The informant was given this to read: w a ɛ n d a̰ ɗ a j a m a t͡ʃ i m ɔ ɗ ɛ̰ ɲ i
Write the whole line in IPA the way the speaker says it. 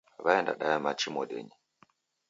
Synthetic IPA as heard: β a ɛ n d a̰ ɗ a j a m a t͡ʃ i m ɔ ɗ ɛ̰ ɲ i

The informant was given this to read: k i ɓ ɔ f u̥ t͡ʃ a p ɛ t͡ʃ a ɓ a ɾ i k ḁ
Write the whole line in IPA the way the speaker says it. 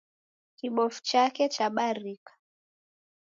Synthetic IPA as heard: k i ɓ ɔ f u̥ t͡ʃ a k ɛ t͡ʃ a ɓ a ɾ i k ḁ

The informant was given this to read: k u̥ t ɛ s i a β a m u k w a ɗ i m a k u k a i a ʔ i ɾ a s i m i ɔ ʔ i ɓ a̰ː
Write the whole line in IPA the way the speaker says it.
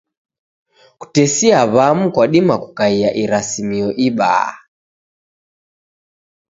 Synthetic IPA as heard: k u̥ t ɛ s i a β a m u k w a ɗ i m a k u k a i a ʔ i ɾ a s i m i ɔ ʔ i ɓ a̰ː

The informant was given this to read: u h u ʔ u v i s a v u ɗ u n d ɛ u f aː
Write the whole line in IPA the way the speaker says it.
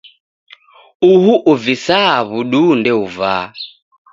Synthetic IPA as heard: u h u ʔ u v i s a β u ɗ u n d ɛ u v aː

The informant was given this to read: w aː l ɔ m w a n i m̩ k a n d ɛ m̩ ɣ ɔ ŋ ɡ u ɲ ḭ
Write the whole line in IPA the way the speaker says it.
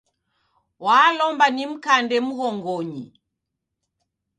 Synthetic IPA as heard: w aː l ɔ m b a n i m̩ k a n d ɛ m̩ ɣ ɔ ŋ ɡ ɔ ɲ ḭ

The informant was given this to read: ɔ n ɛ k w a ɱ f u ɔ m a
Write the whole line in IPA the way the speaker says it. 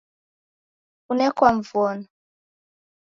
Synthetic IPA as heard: u n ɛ k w a ɱ v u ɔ n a

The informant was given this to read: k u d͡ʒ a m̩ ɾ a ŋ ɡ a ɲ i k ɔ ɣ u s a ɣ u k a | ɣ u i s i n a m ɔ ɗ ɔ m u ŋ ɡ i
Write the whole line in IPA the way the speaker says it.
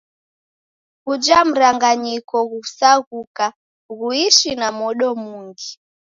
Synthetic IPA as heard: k u d͡ʒ a m̩ ɾ a ŋ ɡ a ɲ i k ɔ ɣ u s a ɣ u k a | ɣ u i ʃ i n a m ɔ ɗ ɔ m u ŋ ɡ i

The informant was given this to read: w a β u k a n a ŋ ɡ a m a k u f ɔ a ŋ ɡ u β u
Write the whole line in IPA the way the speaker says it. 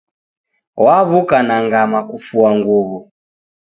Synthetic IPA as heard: w a β u k a n a ŋ ɡ a m a k u f u a ŋ ɡ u β u

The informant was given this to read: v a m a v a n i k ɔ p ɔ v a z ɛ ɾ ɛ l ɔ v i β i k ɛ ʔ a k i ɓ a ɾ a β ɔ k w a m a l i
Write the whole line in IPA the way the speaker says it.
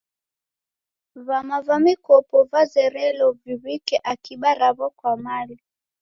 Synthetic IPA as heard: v a m a v a m i k ɔ p ɔ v a z ɛ ɾ ɛ l ɔ v i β i k ɛ ʔ a k i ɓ a ɾ a β ɔ k w a m a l i

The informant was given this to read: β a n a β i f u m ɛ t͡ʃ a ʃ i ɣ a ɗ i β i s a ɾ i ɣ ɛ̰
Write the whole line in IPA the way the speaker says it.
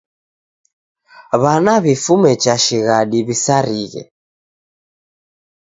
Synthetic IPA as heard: β a n a β i f u m ɛ t͡ʃ a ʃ i ɣ a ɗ i β i s a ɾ i ɣ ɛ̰

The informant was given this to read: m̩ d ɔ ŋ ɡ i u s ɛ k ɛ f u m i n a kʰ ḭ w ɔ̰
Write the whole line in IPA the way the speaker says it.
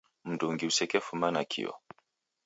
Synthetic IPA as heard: m̩ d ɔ ŋ ɡ i u s ɛ k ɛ f u m a n a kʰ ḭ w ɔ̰

